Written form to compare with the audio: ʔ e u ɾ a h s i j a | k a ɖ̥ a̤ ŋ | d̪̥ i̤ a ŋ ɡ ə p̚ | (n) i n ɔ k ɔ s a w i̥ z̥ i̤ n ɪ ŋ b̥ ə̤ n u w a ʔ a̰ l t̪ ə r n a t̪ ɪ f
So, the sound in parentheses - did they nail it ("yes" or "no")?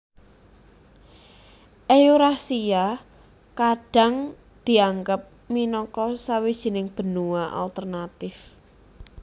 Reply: no